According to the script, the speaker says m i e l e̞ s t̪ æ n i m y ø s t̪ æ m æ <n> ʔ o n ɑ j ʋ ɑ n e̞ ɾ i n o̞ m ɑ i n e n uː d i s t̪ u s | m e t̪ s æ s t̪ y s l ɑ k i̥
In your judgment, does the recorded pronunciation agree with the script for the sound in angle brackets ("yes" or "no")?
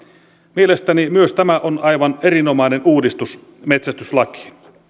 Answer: no